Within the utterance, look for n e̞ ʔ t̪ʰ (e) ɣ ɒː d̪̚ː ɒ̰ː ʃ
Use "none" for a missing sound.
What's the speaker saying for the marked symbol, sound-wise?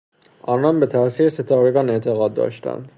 e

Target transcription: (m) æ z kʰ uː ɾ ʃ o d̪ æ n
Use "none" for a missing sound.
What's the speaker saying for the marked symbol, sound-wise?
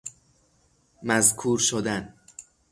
m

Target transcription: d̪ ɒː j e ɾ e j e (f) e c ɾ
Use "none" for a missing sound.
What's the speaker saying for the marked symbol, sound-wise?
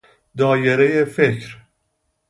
f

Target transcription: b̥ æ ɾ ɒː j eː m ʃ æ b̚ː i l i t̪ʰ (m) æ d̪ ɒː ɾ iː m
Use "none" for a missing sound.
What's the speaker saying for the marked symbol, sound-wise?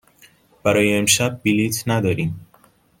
n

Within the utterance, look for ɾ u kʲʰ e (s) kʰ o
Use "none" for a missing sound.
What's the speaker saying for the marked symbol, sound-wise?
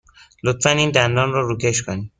ʃ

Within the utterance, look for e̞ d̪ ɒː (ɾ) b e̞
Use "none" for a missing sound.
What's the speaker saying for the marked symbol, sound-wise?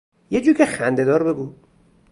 ɾ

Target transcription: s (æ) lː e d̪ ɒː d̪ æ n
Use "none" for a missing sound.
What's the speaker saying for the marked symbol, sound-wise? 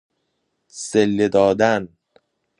e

